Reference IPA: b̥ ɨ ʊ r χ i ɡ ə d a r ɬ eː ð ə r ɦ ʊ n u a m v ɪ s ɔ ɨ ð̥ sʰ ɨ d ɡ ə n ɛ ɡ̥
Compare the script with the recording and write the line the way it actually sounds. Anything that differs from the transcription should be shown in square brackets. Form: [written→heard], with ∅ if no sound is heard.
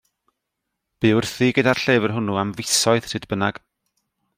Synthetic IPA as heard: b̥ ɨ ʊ r [χ→θ] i ɡ ə d a r ɬ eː [ð→v] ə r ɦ ʊ n u a m v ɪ s ɔ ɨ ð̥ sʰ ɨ d [ɡ→b] ə n [ɛ→a] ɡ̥